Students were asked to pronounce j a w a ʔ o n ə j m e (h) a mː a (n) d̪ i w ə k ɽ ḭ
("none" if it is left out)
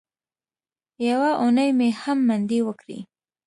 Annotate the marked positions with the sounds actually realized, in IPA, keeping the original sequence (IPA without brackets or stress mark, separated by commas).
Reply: h, n